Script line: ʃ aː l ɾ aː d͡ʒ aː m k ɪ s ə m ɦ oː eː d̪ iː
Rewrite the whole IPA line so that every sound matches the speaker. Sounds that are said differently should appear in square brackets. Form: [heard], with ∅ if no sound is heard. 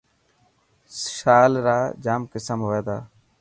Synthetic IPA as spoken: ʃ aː l ɾ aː d͡ʒ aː m k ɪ s ə m ɦ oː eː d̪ [aː]